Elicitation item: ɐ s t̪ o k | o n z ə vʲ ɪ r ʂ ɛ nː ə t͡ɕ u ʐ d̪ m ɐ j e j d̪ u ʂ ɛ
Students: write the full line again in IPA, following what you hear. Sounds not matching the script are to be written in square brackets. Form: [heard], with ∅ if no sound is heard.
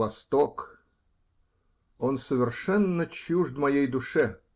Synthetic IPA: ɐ s t̪ o k | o n [s] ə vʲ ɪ r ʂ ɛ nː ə t͡ɕ u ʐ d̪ m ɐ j e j d̪ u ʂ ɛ